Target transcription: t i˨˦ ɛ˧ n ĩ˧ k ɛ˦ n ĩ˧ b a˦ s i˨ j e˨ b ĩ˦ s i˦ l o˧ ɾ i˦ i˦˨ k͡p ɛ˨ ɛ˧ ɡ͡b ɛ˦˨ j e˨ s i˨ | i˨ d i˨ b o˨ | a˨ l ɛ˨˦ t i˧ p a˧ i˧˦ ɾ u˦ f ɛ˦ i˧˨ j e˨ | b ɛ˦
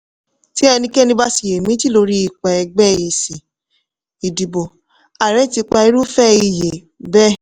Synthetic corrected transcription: t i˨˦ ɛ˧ n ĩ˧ k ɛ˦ n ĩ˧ b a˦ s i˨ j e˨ m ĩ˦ t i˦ l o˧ ɾ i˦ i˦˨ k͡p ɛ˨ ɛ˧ ɡ͡b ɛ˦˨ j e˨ s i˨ | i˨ d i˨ b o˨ | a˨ ɾ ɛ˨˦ t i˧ k͡p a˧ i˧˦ ɾ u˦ f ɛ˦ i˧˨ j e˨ | b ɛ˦